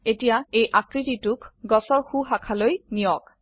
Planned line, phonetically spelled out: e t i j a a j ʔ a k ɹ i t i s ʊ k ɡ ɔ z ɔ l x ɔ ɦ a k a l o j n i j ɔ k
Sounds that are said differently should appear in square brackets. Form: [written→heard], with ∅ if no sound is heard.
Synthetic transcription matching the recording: e t i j a [a→e] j ʔ a k ɹ i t i [s→t] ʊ k ɡ ɔ [z→s] ɔ [l→ɹ] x [ɔ→u] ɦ a [k→kʰ] a l o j n i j ɔ k